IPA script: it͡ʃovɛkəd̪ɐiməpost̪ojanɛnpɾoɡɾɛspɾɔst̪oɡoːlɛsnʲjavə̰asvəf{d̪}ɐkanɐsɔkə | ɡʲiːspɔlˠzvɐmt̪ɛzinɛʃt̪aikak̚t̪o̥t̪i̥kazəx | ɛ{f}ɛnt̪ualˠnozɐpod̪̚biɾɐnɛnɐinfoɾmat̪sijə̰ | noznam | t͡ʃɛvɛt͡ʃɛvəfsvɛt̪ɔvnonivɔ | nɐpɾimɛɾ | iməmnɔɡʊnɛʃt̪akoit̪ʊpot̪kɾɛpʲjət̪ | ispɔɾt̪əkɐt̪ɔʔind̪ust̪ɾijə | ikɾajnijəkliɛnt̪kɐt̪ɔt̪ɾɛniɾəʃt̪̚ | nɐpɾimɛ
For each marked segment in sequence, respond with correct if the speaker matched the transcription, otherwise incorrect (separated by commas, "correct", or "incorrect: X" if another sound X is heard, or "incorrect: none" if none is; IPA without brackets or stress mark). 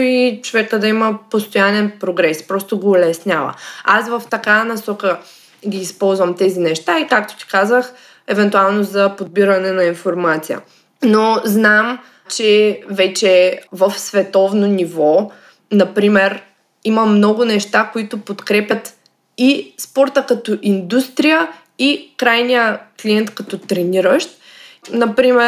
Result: incorrect: t̪, incorrect: v